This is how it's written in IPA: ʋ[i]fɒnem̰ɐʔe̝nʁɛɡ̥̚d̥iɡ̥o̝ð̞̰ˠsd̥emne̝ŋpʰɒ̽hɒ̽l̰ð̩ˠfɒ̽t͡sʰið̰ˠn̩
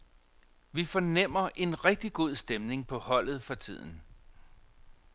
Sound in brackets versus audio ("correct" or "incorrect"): correct